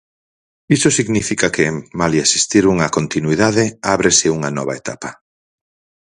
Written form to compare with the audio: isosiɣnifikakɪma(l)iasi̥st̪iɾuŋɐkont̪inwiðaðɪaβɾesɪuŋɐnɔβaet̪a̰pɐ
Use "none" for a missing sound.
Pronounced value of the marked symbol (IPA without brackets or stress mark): l